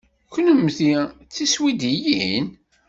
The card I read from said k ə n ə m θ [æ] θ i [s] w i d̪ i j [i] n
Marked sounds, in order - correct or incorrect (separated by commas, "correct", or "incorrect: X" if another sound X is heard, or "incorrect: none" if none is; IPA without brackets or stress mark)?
incorrect: i, correct, correct